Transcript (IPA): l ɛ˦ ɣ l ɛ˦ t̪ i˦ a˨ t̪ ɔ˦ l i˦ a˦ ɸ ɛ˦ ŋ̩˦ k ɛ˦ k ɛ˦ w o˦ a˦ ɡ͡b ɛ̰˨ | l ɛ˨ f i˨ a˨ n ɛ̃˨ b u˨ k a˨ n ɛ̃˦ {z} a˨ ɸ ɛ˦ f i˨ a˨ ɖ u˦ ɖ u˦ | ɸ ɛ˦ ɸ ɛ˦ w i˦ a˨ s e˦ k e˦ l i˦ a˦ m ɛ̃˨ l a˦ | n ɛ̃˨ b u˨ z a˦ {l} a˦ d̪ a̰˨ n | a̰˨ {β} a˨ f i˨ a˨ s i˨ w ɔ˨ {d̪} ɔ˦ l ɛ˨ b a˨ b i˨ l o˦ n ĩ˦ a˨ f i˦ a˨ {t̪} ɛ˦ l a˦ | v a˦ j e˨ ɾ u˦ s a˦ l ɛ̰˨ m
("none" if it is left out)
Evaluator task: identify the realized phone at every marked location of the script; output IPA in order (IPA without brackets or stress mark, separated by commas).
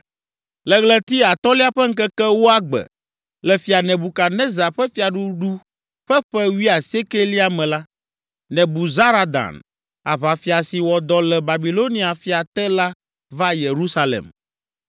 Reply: z, ɾ, β, d̪, t̪